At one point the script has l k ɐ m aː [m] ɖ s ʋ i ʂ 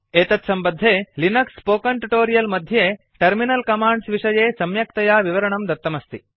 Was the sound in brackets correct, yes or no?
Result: no